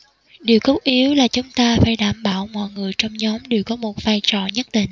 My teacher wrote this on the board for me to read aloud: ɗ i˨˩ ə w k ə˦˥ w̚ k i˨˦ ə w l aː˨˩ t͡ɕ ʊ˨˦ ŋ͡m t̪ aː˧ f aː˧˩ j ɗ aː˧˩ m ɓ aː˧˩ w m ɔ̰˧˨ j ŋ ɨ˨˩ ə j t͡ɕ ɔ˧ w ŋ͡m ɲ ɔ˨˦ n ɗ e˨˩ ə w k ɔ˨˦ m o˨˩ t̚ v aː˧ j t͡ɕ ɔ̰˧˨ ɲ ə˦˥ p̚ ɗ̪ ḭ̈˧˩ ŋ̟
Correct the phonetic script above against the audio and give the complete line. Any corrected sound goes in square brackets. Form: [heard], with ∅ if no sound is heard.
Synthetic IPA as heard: ɗ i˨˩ ə w k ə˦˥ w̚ [ʔ] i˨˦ ə w l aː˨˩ t͡ɕ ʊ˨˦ ŋ͡m t̪ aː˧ f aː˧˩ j ɗ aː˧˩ m ɓ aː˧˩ w m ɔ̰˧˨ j ŋ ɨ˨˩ ə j t͡ɕ ɔ˧ w ŋ͡m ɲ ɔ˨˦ [m] ɗ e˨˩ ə w k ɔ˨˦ m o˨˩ t̚ v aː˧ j t͡ɕ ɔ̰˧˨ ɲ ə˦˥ [t̚] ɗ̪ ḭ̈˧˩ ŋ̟